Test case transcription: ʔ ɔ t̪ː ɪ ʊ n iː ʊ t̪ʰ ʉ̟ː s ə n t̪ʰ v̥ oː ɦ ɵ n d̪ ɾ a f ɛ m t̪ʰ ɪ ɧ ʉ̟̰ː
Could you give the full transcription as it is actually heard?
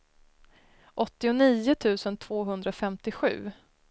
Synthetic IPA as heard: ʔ ɔ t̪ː ɪ ʊ n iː ʊ t̪ʰ ʉ̟ː s ə n t̪ʰ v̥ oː ɦ ɵ n d̪ ɾ a f ɛ m t̪ ɪ ɧ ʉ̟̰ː